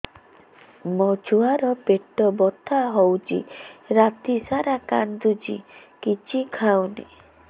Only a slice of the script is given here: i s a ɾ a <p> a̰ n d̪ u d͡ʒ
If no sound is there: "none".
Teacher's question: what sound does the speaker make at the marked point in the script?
k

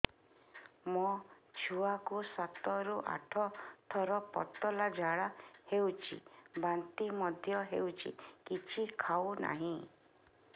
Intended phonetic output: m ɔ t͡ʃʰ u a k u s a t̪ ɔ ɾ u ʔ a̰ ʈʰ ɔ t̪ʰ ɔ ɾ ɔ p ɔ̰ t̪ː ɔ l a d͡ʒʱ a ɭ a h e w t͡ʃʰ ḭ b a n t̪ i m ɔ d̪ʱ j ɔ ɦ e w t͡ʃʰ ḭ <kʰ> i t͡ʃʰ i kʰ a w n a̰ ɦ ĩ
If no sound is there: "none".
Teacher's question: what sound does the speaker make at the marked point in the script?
k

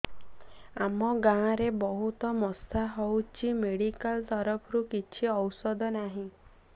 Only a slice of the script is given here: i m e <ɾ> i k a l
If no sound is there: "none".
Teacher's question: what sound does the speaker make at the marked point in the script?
ɽ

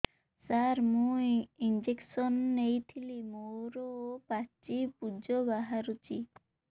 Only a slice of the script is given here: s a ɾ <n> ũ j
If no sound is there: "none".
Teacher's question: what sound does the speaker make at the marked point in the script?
m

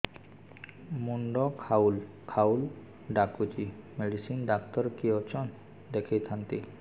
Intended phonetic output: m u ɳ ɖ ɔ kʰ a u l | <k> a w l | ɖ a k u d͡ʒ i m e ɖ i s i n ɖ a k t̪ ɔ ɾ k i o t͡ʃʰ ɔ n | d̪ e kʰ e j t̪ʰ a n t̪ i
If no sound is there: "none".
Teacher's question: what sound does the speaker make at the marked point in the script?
kʰ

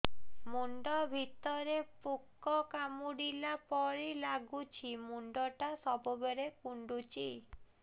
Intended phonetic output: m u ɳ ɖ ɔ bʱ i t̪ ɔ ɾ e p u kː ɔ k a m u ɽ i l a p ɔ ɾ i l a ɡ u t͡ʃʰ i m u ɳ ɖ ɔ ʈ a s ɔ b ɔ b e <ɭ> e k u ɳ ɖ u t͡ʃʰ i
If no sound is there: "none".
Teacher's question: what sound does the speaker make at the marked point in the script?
ɾ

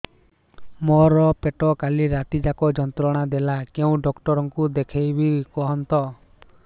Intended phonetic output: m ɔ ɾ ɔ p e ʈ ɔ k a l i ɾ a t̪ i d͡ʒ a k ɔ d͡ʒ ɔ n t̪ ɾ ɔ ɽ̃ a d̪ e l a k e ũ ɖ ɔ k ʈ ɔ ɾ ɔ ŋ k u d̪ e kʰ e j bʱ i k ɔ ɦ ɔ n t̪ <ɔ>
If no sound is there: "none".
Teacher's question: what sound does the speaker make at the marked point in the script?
ɔ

